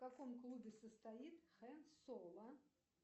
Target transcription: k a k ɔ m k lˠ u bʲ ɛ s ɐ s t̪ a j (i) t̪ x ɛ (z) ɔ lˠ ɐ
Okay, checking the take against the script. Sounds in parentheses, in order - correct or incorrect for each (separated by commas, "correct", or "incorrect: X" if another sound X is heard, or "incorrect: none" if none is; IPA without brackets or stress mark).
correct, incorrect: s